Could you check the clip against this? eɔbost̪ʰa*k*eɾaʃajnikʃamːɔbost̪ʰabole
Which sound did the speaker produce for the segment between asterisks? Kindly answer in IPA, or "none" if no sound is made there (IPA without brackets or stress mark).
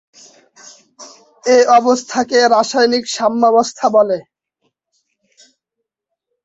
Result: k